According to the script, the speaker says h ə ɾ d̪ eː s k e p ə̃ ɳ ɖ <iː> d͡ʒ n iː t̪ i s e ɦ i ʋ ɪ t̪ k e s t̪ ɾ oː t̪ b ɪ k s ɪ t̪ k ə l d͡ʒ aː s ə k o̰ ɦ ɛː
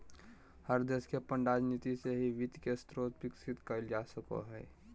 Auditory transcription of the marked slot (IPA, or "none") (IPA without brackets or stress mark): aː